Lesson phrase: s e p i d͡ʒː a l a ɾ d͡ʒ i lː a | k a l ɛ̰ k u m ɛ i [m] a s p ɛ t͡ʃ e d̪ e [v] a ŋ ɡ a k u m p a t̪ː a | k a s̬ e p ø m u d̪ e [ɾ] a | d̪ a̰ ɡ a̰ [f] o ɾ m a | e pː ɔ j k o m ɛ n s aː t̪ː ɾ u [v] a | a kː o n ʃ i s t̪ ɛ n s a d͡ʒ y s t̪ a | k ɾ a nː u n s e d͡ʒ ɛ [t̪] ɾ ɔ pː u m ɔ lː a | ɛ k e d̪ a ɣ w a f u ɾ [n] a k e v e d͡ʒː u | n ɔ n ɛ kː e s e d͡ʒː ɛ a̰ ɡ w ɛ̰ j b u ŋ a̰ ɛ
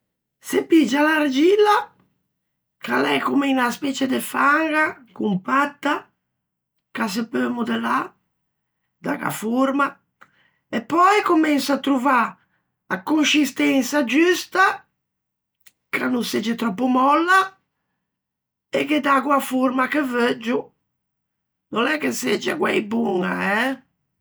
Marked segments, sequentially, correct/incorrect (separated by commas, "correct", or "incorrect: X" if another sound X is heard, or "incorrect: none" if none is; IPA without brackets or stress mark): incorrect: n, incorrect: f, incorrect: l, correct, correct, correct, incorrect: m